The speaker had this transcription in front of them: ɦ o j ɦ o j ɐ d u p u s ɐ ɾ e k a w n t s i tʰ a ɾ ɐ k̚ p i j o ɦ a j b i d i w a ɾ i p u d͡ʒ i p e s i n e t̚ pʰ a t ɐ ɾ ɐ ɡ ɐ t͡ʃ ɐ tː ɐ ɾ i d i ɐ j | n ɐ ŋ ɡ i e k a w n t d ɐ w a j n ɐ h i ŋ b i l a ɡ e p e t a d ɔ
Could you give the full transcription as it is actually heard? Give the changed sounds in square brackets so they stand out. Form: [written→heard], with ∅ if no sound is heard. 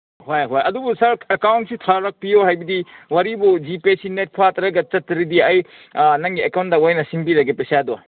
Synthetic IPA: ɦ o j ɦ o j ɐ d u [p→b] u s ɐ ɾ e k a w n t s i tʰ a ɾ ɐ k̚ p i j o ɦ a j b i d i w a ɾ i [p→b] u d͡ʒ i p e s i n e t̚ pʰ a t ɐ ɾ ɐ ɡ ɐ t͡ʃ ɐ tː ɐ ɾ i d i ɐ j | n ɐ ŋ ɡ i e k a w n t d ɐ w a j n ɐ [h→s] i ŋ b i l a ɡ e p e [t→s] a d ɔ